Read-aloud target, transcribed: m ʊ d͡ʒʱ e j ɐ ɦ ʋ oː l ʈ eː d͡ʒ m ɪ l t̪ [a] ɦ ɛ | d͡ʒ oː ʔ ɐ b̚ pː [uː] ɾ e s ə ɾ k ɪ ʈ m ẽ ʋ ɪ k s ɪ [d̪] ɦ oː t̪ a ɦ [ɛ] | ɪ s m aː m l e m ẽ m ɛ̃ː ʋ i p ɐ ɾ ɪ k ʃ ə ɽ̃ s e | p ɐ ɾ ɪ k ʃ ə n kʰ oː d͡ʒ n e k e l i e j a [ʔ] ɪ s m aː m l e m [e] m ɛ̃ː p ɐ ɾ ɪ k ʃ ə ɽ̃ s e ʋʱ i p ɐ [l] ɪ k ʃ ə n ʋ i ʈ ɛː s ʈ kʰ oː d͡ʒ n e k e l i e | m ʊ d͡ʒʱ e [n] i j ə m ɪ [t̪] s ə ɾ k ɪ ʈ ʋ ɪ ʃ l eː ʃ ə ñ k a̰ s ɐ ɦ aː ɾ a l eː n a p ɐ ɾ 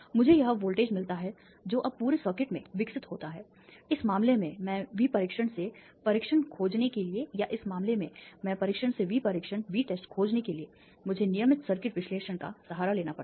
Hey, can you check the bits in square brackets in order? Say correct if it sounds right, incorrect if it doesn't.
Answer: correct, correct, incorrect: t̪, incorrect: ɛː, correct, incorrect: ẽ, incorrect: ɾ, correct, correct

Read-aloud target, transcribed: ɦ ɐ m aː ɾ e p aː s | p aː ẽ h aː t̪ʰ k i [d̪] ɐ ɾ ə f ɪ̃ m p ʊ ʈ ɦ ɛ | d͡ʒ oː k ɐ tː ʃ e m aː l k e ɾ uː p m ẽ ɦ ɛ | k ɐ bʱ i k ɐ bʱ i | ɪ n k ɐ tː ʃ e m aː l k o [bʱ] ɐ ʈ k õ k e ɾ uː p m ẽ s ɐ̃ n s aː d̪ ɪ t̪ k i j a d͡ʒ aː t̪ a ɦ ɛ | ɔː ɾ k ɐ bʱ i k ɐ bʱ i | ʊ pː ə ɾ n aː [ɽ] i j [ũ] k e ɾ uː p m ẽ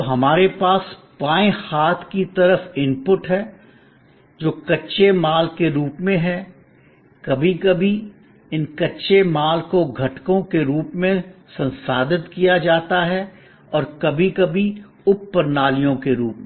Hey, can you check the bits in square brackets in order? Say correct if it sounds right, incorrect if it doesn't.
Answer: incorrect: t̪, incorrect: ɡʱ, incorrect: l, incorrect: õ

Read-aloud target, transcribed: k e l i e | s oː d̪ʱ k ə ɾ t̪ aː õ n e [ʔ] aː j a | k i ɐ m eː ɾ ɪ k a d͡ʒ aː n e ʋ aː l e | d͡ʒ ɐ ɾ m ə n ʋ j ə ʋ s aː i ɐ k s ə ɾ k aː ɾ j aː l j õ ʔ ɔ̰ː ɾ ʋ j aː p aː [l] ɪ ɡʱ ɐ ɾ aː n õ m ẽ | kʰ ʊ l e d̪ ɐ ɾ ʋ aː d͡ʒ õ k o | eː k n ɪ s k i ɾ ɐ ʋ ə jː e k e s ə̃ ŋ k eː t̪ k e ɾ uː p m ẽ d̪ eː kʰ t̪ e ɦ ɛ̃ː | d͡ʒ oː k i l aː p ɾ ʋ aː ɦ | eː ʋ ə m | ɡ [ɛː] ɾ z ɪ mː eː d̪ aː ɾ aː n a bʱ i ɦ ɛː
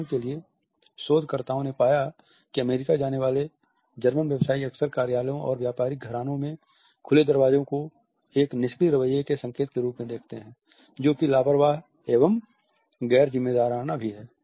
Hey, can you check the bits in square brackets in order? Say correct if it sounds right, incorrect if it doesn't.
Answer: incorrect: p, incorrect: ɾ, correct

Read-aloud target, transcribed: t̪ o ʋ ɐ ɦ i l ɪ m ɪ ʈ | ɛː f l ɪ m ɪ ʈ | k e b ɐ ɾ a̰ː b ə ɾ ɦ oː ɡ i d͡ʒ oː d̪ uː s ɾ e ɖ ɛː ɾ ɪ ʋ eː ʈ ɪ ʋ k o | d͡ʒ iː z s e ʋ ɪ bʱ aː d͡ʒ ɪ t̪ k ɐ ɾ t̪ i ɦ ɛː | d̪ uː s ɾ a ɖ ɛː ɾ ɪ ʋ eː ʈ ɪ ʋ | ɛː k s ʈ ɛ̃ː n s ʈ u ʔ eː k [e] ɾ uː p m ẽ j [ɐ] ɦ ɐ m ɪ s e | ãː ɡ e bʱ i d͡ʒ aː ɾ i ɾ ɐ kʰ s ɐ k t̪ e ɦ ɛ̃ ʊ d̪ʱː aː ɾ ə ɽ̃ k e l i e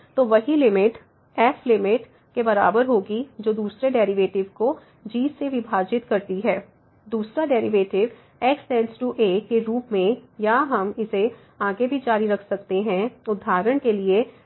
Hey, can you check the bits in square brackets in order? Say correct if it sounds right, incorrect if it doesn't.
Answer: correct, incorrect: a

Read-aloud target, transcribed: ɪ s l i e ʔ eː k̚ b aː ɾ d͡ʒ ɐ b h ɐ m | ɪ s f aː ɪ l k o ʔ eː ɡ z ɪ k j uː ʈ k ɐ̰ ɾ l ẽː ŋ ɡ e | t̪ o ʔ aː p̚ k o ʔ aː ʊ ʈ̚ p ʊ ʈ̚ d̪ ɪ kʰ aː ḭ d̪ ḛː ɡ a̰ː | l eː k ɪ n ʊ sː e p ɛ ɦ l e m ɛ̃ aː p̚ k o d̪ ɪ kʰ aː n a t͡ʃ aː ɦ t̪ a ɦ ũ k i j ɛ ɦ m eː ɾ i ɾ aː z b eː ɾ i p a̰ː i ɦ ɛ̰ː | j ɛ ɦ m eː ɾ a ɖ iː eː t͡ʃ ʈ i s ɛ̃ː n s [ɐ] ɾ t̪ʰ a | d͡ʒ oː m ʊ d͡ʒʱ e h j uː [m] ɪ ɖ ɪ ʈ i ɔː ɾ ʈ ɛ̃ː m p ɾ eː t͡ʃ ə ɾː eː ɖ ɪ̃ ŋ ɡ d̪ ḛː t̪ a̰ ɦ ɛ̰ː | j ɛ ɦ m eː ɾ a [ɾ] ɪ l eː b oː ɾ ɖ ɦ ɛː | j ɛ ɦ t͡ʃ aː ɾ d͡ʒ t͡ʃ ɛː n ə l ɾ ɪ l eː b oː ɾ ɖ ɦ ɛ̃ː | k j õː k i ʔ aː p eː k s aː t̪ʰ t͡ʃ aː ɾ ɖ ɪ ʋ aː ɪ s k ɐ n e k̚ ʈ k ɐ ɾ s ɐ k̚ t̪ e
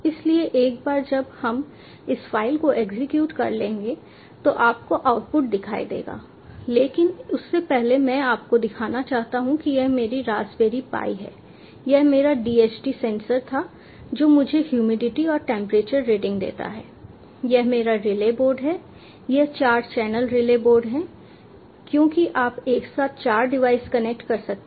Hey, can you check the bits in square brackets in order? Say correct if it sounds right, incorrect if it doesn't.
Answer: incorrect: ə, correct, correct

